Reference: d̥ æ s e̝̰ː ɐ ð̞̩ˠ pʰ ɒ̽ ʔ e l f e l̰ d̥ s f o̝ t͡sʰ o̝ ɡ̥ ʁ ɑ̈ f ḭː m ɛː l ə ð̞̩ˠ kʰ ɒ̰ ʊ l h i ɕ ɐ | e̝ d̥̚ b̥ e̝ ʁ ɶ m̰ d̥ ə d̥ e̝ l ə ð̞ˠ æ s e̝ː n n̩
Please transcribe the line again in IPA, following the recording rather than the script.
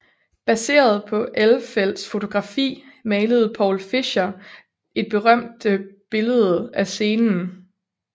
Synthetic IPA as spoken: b̥ æ s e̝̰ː ɐ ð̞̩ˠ pʰ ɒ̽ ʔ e l f e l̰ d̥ s f o̝ t͡sʰ o̝ ɡ̥ ʁ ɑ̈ f ḭː m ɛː l ə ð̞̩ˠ pʰ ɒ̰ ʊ l f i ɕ ɐ | e̝ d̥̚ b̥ e̝ ʁ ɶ m̰ d̥ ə b̥ e̝ l ə ð̞ˠ æ s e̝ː n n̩